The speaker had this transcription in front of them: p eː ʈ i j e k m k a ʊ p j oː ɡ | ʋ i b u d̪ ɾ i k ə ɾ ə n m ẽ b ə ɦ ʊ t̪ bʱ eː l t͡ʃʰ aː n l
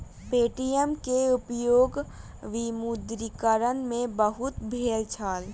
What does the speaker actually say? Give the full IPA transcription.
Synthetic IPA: p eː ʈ i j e m k e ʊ p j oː ɡ | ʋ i m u d̪ ɾ i k ə ɾ ə n m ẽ b ə ɦ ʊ t̪ bʱ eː l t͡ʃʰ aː l